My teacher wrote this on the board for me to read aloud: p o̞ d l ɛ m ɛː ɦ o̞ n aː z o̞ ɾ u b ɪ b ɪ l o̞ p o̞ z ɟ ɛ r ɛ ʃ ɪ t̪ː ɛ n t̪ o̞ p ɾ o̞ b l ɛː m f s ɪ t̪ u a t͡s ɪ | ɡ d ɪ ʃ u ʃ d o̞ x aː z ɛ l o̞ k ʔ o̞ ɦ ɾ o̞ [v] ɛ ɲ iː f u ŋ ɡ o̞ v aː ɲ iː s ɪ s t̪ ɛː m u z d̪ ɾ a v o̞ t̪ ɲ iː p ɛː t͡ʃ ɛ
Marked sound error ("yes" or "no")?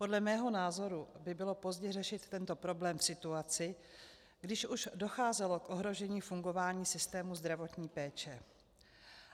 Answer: yes